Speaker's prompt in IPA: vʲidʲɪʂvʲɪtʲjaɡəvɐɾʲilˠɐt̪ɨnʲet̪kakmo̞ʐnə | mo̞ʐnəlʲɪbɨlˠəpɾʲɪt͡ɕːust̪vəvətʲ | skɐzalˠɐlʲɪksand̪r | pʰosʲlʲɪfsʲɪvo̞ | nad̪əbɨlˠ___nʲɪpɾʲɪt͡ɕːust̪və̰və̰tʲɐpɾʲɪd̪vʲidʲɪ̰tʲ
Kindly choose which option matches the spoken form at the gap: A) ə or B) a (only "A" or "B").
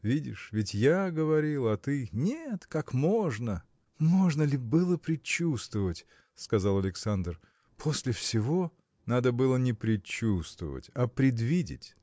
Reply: A